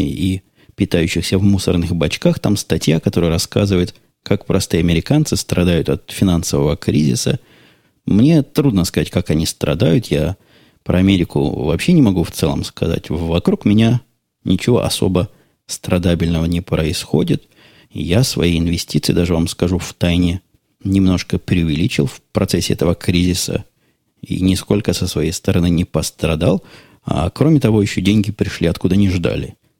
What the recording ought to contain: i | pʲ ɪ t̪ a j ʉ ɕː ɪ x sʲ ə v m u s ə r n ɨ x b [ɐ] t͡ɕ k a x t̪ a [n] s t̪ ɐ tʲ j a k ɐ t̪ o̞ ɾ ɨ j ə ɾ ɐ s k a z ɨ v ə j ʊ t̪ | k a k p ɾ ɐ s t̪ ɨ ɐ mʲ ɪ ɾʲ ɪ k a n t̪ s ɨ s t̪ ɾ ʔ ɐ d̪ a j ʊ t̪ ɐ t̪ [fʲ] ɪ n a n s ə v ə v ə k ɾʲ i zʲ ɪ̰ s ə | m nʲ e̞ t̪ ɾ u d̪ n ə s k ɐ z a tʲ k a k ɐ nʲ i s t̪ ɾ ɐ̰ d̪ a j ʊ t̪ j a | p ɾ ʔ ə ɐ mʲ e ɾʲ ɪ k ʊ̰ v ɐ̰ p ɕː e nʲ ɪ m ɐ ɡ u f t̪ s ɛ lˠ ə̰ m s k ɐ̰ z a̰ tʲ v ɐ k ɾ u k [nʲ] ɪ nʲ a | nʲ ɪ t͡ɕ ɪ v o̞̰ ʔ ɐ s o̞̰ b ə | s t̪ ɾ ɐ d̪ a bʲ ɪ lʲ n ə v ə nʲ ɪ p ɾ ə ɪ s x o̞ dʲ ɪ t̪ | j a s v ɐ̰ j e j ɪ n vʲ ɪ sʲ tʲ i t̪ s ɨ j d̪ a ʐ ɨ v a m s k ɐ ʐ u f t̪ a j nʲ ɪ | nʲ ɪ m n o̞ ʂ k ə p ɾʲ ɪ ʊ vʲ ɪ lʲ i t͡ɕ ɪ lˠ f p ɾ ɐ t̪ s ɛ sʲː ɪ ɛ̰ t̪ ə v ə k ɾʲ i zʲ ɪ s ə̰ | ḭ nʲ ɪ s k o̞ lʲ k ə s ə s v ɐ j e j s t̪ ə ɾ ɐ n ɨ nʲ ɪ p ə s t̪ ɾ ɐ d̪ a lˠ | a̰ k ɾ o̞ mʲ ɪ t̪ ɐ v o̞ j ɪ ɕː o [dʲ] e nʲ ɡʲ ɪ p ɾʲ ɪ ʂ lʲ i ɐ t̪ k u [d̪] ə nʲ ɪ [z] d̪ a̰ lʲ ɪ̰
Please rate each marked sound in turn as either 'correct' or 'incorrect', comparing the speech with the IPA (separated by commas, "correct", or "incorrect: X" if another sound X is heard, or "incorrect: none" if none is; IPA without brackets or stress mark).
correct, incorrect: m, correct, incorrect: mʲ, correct, correct, incorrect: ʐ